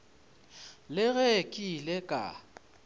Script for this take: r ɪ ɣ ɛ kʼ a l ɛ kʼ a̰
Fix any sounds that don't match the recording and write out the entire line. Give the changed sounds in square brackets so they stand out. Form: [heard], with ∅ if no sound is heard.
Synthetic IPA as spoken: [l] ɪ ɣ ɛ kʼ [i] l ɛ kʼ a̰